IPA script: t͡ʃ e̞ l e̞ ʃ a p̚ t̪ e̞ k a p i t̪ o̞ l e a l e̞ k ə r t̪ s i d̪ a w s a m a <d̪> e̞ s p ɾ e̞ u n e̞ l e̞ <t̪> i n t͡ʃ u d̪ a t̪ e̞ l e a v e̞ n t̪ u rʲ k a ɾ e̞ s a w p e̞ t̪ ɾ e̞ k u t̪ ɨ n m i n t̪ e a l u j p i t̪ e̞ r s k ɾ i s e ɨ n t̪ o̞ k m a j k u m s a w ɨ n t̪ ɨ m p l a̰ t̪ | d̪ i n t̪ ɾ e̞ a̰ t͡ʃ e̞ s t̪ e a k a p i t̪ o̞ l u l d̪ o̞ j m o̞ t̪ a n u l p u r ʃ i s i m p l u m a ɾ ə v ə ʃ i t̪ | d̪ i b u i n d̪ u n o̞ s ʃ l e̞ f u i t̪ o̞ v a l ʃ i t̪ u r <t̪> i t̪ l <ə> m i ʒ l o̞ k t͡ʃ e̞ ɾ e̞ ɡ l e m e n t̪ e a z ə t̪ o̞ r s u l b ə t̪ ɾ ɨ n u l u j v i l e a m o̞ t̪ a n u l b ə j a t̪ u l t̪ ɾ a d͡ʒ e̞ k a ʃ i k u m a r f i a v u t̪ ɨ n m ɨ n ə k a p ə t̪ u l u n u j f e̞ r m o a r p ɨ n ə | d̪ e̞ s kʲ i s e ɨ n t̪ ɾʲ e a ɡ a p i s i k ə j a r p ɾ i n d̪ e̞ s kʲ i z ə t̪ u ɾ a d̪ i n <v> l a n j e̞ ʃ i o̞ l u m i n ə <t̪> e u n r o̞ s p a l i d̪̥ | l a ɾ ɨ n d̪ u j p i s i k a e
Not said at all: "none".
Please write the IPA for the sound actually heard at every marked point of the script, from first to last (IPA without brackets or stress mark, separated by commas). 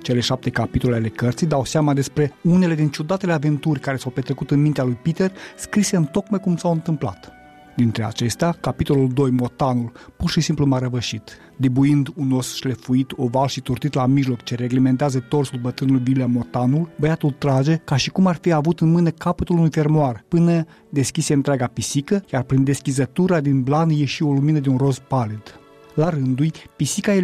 d̪, d̪, t̪, a, b, d̪